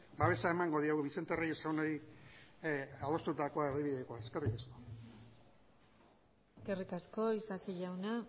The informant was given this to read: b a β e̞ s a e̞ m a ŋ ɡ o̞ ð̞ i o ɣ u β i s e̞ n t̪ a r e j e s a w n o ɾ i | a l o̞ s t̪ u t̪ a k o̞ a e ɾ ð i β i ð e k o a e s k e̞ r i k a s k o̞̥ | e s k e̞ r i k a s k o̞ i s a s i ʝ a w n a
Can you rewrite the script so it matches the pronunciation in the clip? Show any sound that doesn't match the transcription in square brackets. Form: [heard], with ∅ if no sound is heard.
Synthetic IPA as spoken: b a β e̞ s a e̞ m a ŋ ɡ o̞ ð̞ i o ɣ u β i s e̞ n t̪ [e] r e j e s a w n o ɾ i | a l o̞ s t̪ u t̪ a k o̞ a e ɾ ð i β i ð e k o a e s k e̞ r i k a s k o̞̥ | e s k e̞ r i k a s k o̞ i s a s i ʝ a w n a

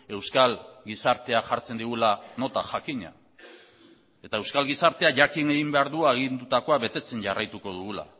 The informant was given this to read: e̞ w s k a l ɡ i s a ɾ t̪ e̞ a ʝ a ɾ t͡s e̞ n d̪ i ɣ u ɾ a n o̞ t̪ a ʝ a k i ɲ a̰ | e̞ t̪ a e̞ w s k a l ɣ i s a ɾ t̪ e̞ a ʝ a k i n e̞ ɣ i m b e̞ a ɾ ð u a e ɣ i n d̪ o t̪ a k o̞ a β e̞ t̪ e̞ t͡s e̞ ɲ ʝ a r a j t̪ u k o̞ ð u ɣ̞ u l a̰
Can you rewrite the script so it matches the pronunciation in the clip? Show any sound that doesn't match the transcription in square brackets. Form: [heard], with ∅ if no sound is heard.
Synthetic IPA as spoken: e̞ w s k a l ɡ i s a ɾ t̪ e̞ a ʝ a ɾ t͡s e̞ n d̪ i ɣ u [l] a n o̞ t̪ a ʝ a k i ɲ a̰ | e̞ t̪ a e̞ w s k a l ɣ i s a ɾ t̪ e̞ a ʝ a k i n e̞ ɣ i m b e̞ a ɾ ð u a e ɣ i n d̪ [u] t̪ a k o̞ a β e̞ t̪ e̞ t͡s e̞ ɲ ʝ a r a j t̪ u k o̞ ð u ɣ̞ u l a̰

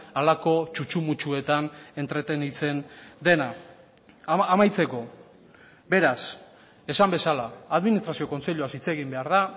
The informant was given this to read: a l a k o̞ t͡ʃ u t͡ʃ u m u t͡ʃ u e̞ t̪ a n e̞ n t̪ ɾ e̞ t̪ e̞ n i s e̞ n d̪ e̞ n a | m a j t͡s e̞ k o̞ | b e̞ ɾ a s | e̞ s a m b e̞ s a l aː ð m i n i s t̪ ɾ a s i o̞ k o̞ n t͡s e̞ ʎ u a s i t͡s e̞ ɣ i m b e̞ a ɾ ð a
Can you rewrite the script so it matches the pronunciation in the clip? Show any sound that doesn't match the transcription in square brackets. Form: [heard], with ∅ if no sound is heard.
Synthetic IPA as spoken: a l a k o̞ t͡ʃ u t͡ʃ u m u t͡ʃ u e̞ t̪ a n e̞ n t̪ ɾ e̞ t̪ e̞ n i [t͡s] e̞ n d̪ e̞ n a | m a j t͡s e̞ k o̞ | b e̞ ɾ a s | e̞ s a m b e̞ s a l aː ð m i n i s t̪ ɾ a s i o̞ k o̞ n t͡s e̞ ʎ u a s i t͡s e̞ ɣ i m b e̞ a ɾ ð a

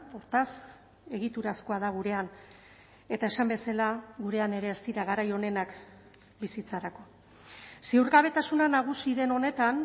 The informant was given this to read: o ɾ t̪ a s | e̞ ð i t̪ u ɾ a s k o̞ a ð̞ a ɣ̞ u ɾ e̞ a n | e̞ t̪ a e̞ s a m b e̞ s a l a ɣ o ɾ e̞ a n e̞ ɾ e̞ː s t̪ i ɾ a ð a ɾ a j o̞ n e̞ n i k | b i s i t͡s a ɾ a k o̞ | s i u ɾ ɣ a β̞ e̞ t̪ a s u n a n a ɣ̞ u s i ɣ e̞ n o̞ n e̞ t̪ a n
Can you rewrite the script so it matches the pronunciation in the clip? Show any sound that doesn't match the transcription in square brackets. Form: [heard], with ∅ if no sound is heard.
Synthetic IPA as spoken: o ɾ t̪ a s | e̞ [ɣ] i t̪ u ɾ a s k o̞ a ð̞ a ɣ̞ u ɾ e̞ a n | e̞ t̪ a e̞ s a m b e̞ s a l a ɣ [u] ɾ e̞ a n e̞ ɾ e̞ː s t̪ i ɾ a [ɣ] a ɾ a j o̞ n e̞ n [a] k | b i s i t͡s a ɾ a k o̞ | s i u ɾ ɣ a β̞ e̞ t̪ a s u n a n a ɣ̞ u s i [ð] e̞ n o̞ n e̞ t̪ a n

